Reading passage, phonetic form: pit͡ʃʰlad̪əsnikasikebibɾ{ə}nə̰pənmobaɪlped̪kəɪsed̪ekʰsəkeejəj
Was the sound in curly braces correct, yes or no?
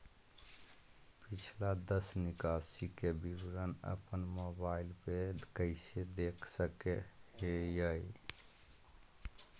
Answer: yes